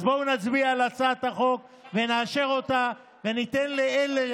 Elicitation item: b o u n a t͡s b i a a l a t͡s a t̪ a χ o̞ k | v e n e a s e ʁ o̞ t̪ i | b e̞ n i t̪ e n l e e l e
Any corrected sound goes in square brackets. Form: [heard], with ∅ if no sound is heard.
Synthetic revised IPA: b o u n a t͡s b i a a l a t͡s a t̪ a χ o̞ k | v e n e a [ʃ] e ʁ o̞ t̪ [a] | [v] e̞ n i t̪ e n l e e l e